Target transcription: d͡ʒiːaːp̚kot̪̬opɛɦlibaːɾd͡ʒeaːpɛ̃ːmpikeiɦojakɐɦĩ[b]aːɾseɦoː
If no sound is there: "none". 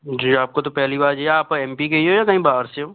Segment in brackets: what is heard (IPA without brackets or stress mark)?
b